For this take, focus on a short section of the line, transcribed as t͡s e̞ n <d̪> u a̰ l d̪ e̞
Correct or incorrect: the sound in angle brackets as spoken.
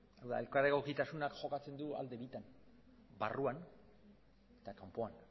correct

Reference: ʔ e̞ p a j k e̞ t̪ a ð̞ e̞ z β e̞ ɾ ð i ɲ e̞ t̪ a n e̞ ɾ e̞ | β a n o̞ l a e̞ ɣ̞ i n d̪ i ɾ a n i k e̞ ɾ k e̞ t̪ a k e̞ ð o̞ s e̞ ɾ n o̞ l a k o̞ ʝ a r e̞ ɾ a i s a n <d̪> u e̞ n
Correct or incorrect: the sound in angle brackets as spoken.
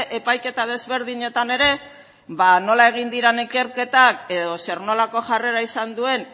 correct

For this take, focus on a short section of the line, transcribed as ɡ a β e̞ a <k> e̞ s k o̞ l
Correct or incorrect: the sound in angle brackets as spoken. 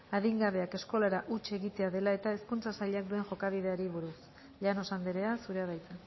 correct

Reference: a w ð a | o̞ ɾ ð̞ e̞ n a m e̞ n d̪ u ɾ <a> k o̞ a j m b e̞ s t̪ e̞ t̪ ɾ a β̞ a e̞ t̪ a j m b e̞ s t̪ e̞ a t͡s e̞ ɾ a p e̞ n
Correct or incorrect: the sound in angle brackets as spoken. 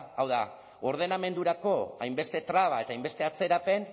correct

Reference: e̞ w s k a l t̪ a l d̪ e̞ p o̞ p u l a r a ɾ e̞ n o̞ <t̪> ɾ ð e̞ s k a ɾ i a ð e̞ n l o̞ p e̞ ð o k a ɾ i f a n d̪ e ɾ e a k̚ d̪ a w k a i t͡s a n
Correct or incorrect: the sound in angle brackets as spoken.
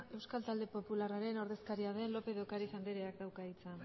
incorrect: none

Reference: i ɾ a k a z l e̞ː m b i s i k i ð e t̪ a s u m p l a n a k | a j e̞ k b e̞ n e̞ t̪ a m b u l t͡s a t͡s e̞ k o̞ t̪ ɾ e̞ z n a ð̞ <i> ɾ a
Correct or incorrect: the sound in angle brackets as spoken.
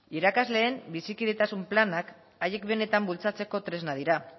correct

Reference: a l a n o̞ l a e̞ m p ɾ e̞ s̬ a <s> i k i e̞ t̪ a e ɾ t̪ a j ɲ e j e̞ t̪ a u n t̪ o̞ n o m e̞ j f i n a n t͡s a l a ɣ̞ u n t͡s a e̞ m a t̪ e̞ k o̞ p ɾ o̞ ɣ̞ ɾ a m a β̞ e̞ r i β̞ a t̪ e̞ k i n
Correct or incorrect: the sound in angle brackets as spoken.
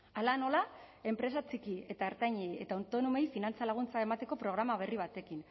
incorrect: t͡s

